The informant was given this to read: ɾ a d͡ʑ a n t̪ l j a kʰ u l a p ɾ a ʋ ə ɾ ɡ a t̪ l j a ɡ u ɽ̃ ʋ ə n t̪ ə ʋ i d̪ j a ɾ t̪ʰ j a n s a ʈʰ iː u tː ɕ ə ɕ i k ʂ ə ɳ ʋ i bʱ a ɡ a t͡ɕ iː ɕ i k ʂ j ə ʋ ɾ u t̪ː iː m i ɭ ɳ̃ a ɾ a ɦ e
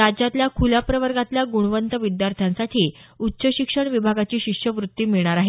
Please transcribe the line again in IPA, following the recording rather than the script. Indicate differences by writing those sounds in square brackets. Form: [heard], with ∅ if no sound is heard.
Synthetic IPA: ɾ a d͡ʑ a [∅] t̪ l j a kʰ u l a p ɾ [ə] ʋ ə ɾ ɡ a t̪ l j a ɡ u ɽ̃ ʋ ə n t̪ ə ʋ i d̪ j a ɾ t̪ʰ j a n s a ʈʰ iː u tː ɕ ə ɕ i k ʂ ə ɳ ʋ i bʱ a ɡ a t͡ɕ iː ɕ i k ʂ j ə ʋ ɾ u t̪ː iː m i ɭ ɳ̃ a ɾ a ɦ e